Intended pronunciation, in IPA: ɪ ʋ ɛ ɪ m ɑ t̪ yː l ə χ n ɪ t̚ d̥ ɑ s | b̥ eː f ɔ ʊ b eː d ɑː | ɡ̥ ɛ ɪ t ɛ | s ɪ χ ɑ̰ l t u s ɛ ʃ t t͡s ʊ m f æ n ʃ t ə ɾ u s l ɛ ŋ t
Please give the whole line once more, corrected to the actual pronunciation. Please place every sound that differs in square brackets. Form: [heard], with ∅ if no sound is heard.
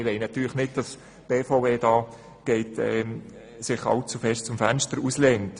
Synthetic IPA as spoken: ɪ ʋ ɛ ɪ [n] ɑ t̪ yː l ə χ n ɪ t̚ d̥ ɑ s | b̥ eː f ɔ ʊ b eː d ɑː | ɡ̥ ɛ ɪ t ɛ | s ɪ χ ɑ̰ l [t͡s] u [f] ɛ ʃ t t͡s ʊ m f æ n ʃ t ə ɾ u s l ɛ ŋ t